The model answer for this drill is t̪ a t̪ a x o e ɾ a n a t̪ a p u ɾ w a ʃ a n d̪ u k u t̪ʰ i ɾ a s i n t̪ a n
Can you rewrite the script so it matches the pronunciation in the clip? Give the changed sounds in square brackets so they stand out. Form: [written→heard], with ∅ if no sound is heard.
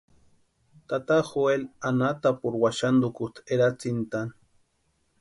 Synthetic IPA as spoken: t̪ a t̪ a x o e [ɾ→l] a n a t̪ a p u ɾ w a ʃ a n d̪ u k u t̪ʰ [i→e] ɾ a [s→t͡s] i n t̪ a n